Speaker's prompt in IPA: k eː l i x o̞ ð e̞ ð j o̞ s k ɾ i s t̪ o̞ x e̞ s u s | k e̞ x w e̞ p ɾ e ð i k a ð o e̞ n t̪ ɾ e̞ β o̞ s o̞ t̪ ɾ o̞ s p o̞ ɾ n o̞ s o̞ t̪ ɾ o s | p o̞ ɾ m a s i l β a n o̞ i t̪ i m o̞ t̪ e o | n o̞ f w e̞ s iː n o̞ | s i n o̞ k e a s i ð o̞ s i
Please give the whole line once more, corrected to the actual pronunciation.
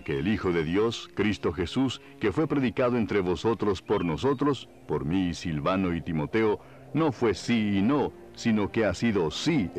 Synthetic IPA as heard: k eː l i x o̞ ð e̞ ð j o̞ s k ɾ i s t̪ o̞ x e̞ s u s | k e̞ f w e̞ p ɾ e ð i k a ð o e̞ n t̪ ɾ e̞ β o̞ s o̞ t̪ ɾ o̞ s p o̞ ɾ n o̞ s o̞ t̪ ɾ o s | p o̞ ɾ m i s i l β a n o̞ i t̪ i m o̞ t̪ e o | n o̞ f w e̞ s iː n o̞ | s i n o̞ k e a s i ð o̞ s i